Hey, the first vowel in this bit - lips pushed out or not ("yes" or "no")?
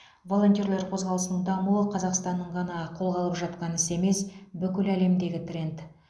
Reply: yes